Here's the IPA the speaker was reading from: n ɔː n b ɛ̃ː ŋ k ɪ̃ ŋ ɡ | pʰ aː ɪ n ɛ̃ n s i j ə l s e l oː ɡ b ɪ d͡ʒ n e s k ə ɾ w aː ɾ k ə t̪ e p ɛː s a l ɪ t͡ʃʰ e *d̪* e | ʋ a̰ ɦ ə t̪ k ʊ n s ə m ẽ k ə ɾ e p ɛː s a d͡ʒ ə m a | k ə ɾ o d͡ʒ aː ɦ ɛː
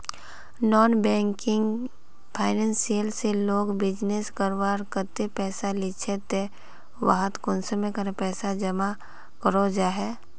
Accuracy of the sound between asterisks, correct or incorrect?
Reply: incorrect